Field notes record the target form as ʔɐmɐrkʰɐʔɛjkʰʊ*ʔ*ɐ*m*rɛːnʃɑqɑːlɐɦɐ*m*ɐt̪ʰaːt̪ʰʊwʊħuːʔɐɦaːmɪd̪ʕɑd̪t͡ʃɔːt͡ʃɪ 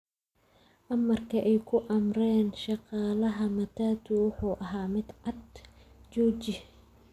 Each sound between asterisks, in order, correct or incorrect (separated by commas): correct, correct, correct